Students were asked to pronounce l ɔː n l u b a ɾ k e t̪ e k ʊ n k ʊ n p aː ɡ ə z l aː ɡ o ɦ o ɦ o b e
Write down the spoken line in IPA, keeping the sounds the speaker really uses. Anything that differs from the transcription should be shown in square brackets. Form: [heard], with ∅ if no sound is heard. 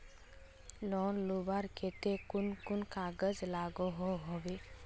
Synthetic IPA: l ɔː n l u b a ɾ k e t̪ e k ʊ n k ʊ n [k] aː ɡ ə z l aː ɡ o ɦ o ɦ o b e